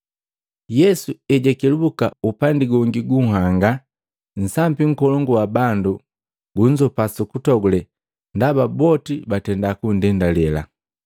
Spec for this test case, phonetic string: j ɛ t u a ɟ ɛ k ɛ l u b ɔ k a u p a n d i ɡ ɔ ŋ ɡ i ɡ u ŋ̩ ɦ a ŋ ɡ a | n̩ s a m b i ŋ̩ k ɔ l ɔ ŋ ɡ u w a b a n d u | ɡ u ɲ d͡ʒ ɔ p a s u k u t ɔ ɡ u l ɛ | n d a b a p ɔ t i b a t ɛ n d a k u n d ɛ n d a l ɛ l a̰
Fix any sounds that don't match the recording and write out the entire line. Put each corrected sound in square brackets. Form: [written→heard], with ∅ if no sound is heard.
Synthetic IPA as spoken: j ɛ [t→s] u [a→ɛ] ɟ ɛ k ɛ l u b [ɔ→u] k a u p a n d i ɡ ɔ ŋ ɡ i ɡ u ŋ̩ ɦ a ŋ ɡ a | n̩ s a m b i ŋ̩ k ɔ l ɔ ŋ ɡ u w a b a n d u | ɡ u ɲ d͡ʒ ɔ p a s u k u t ɔ ɡ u l ɛ | n d a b a [p→b] ɔ t i b a t ɛ n d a k u n d ɛ n d a l ɛ l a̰